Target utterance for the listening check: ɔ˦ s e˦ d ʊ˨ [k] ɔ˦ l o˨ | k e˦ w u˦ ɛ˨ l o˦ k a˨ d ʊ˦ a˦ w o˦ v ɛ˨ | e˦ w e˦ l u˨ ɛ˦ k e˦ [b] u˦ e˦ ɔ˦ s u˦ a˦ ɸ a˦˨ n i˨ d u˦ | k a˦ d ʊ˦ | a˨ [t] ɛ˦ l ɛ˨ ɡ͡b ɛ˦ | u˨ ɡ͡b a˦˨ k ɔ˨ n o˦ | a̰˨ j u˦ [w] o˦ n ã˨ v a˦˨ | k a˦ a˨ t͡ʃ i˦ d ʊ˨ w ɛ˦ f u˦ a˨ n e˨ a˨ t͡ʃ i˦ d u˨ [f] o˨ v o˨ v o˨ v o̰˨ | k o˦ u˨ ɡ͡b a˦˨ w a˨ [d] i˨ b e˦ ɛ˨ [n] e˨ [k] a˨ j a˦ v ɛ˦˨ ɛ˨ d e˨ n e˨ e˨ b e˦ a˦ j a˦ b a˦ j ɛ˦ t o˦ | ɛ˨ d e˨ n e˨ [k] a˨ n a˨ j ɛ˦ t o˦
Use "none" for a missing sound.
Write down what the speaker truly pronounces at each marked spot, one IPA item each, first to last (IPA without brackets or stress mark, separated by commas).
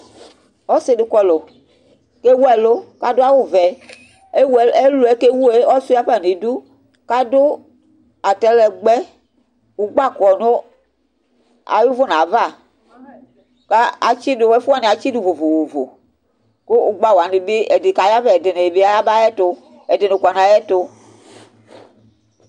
k, w, t, v, v, n, d, k, k